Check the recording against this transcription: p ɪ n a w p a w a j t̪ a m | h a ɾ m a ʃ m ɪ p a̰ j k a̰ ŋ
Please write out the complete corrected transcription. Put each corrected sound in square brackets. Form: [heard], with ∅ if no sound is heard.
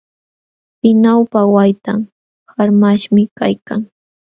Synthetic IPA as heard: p ɪ n a w p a w a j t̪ a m | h a ɾ m a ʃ m ɪ [k] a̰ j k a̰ ŋ